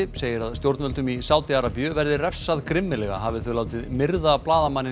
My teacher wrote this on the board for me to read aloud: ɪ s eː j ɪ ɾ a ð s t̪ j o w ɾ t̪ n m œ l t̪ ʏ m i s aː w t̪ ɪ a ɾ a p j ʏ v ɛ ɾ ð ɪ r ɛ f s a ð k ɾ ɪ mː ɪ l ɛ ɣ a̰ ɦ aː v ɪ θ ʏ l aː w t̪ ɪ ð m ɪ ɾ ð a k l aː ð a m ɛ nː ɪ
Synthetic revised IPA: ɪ s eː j ɪ ɾ a ð s t̪ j o w ɾ t̪ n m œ l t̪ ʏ m i s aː w t̪ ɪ a ɾ a p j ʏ v ɛ ɾ ð ɪ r ɛ f s a ð k ɾ ɪ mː ɪ l ɛ ɣ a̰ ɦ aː v ɪ θ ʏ l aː w t̪ ɪ ð m ɪ ɾ ð a p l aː ð a m a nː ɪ